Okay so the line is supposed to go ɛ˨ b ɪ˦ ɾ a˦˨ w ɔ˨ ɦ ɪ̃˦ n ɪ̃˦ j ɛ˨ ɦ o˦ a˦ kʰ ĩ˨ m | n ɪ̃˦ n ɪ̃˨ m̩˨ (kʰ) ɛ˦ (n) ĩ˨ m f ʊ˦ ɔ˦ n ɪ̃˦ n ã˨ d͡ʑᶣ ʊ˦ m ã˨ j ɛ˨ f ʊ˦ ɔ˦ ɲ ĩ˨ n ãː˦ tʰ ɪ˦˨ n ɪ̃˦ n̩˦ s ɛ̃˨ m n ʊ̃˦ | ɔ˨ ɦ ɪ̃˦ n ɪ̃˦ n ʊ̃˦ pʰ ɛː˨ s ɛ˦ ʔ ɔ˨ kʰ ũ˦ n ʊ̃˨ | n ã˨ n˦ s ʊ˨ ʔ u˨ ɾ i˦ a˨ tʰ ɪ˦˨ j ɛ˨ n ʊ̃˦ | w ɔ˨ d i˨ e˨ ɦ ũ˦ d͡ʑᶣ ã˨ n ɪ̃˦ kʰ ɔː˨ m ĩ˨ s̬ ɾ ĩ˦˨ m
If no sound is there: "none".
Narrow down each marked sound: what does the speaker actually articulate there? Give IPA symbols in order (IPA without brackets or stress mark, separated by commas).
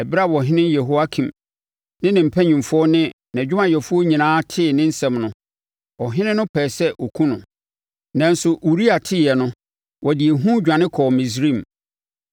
pʰ, ɲ